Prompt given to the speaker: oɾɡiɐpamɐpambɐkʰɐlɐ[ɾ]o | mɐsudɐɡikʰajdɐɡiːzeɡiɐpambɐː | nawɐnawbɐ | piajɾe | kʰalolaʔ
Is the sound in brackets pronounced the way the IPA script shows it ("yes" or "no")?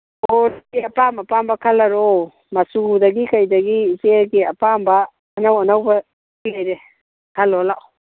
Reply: yes